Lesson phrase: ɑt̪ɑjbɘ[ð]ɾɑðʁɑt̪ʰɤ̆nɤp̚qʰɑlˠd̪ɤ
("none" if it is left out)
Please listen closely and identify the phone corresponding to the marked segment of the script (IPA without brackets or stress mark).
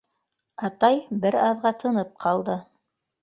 none